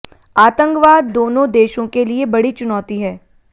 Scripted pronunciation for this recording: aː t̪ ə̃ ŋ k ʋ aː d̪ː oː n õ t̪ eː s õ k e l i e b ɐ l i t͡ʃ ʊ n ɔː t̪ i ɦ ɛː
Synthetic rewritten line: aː t̪ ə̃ ŋ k ʋ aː d̪ː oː n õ d̪ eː ʃ õ k e l i e b ɐ ɽ i t͡ʃ ʊ n ɔː t̪ i ɦ ɛː